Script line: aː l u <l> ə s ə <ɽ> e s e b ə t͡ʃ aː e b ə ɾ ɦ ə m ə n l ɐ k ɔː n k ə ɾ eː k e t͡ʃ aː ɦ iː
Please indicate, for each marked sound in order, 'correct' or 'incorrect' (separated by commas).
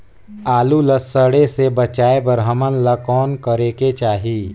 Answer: correct, correct